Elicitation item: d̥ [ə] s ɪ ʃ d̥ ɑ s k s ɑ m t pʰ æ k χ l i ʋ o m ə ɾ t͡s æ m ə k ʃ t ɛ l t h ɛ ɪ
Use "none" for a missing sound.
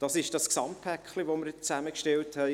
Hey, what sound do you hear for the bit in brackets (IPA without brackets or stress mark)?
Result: ɑ